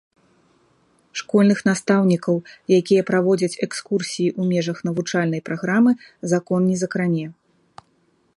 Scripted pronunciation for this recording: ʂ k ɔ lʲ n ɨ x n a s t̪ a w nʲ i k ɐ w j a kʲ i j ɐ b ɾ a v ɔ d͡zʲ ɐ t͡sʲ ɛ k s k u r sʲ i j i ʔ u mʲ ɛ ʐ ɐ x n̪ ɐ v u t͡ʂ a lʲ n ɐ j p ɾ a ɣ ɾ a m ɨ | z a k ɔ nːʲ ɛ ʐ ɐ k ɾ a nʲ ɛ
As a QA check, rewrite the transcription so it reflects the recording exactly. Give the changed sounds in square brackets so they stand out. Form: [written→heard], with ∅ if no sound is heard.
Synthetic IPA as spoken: ʂ k ɔ lʲ n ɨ x n a s t̪ a w nʲ i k ɐ w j a kʲ i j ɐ [b→p] ɾ a v ɔ d͡zʲ ɐ t͡sʲ ɛ k s k u r sʲ i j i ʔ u mʲ ɛ ʐ ɐ x n̪ ɐ v u t͡ʂ a lʲ n ɐ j p ɾ a ɣ ɾ a m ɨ | z a k ɔ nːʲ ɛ [ʐ→z] ɐ k ɾ a nʲ ɛ